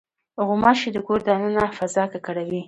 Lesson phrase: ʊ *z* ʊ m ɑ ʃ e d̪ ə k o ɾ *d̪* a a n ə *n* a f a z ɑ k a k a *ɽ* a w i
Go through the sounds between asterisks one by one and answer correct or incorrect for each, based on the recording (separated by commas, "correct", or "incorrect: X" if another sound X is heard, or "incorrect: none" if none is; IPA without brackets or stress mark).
incorrect: ɣ, correct, correct, correct